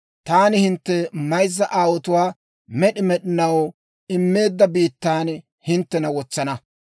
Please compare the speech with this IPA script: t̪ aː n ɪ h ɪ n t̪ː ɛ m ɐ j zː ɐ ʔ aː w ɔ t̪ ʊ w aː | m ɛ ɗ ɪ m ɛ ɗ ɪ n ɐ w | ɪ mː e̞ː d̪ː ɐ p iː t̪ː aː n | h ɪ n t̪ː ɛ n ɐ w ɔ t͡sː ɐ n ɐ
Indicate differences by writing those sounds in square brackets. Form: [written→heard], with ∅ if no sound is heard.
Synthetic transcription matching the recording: t̪ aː n ɪ h ɪ n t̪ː ɛ m ɐ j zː ɐ ʔ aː w ɔ t̪ ʊ w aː | m ɛ ɗ ɪ m ɛ ɗ ɪ n ɐ w | ɪ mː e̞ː d̪ː ɐ [p→b] iː t̪ː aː n | h ɪ n t̪ː ɛ n ɐ w ɔ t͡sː ɐ n ɐ